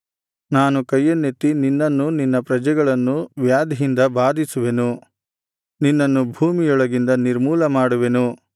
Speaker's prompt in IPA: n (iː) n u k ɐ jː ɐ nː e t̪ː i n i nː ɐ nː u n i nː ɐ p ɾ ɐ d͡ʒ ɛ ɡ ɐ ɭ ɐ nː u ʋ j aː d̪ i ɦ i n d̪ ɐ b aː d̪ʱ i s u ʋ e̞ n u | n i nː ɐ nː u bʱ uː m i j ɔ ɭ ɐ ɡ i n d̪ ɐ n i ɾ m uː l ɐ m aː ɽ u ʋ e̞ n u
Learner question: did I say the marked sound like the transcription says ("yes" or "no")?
no